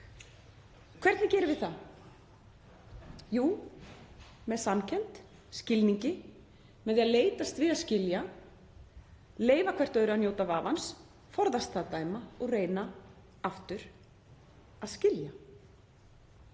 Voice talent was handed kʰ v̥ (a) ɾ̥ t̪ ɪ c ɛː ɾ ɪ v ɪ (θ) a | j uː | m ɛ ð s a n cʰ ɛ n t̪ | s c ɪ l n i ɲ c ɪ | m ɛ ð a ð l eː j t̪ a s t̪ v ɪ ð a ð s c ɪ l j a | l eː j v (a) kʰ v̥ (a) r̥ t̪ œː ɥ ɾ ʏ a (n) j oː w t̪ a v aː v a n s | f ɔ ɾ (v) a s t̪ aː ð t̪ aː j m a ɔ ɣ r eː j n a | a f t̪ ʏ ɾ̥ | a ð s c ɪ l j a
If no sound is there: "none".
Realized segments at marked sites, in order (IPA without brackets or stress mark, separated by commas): ɛ, θ, a, ɛ, n, ð